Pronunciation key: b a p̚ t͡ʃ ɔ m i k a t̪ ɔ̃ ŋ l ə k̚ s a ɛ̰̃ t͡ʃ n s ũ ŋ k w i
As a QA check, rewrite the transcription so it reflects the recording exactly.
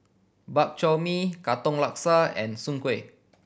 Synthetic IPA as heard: b a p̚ t͡ʃ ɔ m i k a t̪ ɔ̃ ŋ l a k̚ s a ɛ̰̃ n s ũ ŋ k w e